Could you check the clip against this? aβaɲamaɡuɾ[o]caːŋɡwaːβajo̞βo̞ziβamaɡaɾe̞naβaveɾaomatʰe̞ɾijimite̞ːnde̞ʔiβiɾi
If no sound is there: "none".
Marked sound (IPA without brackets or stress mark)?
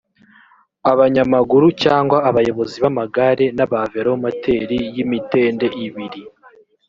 u